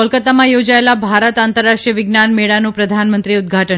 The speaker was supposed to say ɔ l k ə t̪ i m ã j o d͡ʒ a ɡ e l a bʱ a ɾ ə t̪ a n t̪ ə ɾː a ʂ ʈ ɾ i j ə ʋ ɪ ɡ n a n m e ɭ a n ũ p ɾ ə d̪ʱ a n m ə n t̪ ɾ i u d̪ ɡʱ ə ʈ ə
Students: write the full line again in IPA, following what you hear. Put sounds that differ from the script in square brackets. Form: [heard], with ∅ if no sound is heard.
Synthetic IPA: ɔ l k ə t̪ [a] m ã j o d͡ʒ a [∅] e l a bʱ a ɾ ə t̪ a n t̪ ə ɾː a ʂ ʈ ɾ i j ə ʋ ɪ ɡ n a n m e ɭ a n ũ p ɾ ə d̪ʱ a n m ə n t̪ ɾ i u d̪ ɡʱ [a] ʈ ə

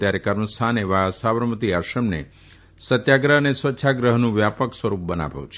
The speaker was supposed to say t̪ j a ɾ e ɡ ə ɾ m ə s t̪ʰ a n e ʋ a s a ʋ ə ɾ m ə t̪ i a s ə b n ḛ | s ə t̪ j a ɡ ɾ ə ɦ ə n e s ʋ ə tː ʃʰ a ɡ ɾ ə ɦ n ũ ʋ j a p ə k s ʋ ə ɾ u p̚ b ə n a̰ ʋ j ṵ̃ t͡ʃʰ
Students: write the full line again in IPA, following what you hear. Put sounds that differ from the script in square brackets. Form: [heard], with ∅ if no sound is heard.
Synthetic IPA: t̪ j a ɾ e [k] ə ɾ m ə s t̪ʰ a n e ʋ a s a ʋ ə ɾ m ə t̪ i a [ʃ] ə [m] n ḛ | s ə t̪ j a ɡ ɾ ə ɦ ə n e s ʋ ə tː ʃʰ a ɡ ɾ ə ɦ n ũ ʋ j a p ə k s ʋ ə ɾ u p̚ b ə n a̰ ʋ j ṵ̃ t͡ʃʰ

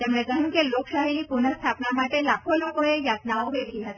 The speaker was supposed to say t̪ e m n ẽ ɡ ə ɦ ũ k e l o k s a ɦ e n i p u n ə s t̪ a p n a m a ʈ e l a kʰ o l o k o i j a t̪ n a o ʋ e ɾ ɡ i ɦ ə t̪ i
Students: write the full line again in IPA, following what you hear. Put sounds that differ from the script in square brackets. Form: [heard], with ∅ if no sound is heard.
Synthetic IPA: t̪ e m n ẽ [k] ə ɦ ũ k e l o k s a ɦ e n i p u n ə s [t̪ʰ] a p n a m a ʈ e l a kʰ o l o k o [e] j a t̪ n a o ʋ e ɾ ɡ i ɦ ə t̪ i

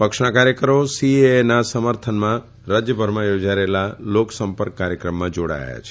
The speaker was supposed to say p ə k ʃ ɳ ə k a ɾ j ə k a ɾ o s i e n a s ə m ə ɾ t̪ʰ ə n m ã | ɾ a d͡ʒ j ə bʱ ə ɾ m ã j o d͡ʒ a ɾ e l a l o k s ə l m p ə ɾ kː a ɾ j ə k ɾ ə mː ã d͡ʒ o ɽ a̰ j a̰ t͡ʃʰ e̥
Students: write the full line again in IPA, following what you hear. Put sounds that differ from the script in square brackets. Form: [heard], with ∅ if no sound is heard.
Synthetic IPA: p ə k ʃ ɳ [a] k a ɾ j ə k [ə] ɾ o s i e n a s ə m ə ɾ t̪ʰ ə n m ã | ɾ a d͡ʒ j ə bʱ ə ɾ m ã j o d͡ʒ a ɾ e l a l o k s ə [∅] m p ə ɾ kː a ɾ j ə k ɾ ə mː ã d͡ʒ o ɽ a̰ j a̰ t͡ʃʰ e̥

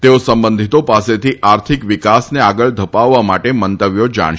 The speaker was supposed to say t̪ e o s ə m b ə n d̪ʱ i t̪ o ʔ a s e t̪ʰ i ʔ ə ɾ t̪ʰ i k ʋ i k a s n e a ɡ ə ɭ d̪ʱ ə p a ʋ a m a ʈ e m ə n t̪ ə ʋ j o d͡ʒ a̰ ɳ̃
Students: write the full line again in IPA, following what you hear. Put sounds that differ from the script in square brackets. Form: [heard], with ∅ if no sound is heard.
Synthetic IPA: t̪ e o s ə m b ə n d̪ʱ i t̪ o [p] a s e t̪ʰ i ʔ [a] ɾ t̪ʰ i k ʋ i k a s n e a ɡ ə ɭ d̪ʱ ə p a [ʋː] a m a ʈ e m ə n t̪ ə ʋ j o d͡ʒ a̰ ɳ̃

